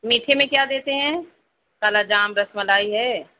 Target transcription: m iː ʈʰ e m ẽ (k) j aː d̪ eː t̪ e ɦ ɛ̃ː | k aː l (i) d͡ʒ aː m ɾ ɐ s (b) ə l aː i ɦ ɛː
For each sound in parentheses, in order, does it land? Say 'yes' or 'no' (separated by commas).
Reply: yes, no, no